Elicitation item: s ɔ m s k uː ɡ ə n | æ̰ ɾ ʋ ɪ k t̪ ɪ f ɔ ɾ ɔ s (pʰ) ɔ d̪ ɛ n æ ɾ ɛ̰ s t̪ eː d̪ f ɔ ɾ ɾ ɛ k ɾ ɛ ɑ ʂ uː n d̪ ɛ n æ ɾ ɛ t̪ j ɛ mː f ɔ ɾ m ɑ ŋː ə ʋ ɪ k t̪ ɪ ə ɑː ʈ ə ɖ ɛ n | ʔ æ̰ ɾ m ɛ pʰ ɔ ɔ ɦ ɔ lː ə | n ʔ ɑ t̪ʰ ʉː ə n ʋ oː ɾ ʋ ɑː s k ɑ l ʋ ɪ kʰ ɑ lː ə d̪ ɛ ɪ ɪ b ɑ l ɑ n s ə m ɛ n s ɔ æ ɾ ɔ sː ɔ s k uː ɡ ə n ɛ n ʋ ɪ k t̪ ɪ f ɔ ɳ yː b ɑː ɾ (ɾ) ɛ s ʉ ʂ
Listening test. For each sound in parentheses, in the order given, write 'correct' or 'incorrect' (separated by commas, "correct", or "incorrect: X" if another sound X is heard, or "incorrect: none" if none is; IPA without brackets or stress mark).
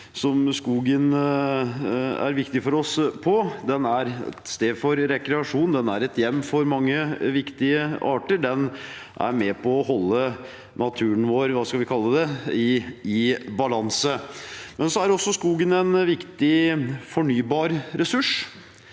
correct, correct